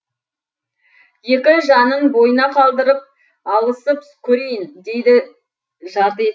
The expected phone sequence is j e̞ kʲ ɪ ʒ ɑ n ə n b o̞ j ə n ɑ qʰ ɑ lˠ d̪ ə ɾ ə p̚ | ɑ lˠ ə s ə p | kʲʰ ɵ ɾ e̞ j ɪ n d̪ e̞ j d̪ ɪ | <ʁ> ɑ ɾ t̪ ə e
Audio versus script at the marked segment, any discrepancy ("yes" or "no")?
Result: yes